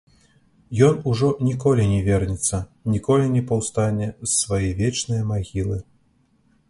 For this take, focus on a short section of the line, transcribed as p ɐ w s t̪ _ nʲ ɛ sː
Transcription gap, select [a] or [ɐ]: a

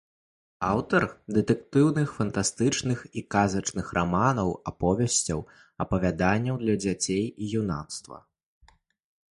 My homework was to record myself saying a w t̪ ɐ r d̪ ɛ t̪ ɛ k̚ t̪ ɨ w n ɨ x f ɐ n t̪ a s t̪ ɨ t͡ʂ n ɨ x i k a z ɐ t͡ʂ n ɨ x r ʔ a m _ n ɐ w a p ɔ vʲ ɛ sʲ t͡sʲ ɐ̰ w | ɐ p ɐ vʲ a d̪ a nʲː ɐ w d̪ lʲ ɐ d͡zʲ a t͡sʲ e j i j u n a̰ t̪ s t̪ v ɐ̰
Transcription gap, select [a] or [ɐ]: a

